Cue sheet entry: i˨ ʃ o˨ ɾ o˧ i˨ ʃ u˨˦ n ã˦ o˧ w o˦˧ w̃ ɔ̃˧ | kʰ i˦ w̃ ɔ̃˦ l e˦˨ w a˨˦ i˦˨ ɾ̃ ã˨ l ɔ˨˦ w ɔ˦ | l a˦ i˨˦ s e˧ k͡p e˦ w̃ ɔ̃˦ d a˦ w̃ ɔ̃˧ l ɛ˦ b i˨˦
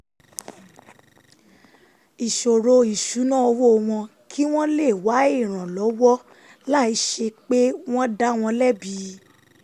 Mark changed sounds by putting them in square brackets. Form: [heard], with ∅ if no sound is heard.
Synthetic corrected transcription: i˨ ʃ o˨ ɾ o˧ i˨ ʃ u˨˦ n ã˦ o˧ w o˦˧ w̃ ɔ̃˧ | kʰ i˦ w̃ ɔ̃˦ l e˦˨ w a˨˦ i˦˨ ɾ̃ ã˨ l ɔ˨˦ w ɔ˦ | l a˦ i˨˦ [ʃ] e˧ k͡p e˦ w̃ ɔ̃˦ d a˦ w̃ ɔ̃˧ l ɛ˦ b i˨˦